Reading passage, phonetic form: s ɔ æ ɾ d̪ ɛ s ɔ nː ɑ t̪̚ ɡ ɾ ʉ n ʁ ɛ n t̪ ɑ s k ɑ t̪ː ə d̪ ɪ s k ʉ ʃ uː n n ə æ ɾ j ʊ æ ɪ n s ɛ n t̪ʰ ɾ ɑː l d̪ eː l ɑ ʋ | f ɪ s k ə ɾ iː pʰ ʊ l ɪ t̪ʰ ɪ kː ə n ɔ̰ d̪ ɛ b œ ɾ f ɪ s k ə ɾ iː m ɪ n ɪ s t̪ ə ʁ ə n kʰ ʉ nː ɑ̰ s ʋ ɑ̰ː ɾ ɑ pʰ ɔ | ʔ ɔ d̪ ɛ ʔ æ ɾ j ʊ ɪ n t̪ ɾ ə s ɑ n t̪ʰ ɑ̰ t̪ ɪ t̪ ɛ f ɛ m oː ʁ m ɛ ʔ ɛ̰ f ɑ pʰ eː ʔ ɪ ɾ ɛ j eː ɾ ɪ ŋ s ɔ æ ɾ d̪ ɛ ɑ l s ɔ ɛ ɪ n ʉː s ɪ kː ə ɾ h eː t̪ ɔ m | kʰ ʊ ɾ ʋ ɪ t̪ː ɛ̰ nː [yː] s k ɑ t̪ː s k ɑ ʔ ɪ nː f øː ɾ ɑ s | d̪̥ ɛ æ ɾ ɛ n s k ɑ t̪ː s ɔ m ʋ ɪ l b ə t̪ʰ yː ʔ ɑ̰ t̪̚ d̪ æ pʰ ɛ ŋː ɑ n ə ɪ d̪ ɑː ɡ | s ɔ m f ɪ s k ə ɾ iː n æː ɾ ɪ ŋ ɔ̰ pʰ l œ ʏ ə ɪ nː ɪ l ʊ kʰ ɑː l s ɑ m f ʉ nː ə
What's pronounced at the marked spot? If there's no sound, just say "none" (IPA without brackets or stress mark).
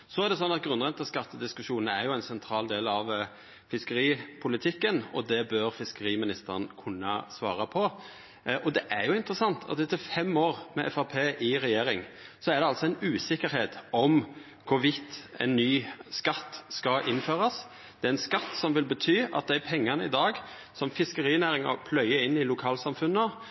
yː